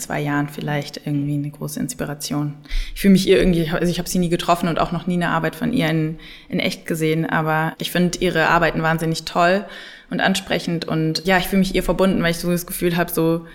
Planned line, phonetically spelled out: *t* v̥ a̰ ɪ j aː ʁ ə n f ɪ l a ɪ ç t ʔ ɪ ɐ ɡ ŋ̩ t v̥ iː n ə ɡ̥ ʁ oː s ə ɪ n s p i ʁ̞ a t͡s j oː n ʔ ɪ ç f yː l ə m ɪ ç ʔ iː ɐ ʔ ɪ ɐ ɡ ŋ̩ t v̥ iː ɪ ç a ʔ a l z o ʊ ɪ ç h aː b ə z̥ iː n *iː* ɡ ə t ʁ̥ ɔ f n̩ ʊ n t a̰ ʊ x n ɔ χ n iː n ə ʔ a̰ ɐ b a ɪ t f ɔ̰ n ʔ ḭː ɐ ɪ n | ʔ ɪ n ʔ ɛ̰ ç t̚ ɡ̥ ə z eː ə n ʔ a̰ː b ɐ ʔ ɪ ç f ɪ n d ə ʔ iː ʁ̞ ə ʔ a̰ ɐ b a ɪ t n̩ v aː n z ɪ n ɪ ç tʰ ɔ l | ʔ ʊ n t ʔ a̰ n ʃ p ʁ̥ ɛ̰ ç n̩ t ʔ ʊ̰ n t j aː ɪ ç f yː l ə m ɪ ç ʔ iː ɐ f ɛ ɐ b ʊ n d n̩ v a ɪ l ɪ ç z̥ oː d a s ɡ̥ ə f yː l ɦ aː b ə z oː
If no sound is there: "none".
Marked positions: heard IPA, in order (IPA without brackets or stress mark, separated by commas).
t͡s, iː